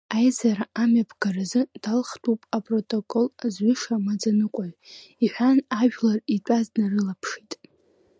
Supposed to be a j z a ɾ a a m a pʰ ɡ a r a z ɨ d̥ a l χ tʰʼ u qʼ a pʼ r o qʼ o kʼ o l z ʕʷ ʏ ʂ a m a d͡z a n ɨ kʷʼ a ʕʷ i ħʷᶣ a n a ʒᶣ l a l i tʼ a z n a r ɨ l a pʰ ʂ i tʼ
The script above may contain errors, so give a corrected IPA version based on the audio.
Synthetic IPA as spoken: a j z a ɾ a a m a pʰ ɡ a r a z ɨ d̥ a l χ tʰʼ u pʼ a pʼ r o tʼ o kʼ o l z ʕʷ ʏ ʂ a m a d͡z a n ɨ kʷʼ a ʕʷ i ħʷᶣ a n a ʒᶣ l a r i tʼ a z n a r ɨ l a pʰ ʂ i tʼ